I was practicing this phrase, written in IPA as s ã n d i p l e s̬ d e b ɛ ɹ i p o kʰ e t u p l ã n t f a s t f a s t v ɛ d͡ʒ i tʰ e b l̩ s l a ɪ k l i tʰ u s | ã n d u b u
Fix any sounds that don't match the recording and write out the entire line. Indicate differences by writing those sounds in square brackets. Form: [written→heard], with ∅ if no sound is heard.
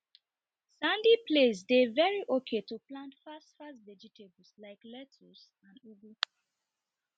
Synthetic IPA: s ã n d i p l e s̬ d e [b→v] ɛ ɹ i [p→ʔ] o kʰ e t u p l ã n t f a s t f a s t v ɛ d͡ʒ i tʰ e b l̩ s l a ɪ k l [i→ɛ] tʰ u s | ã n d u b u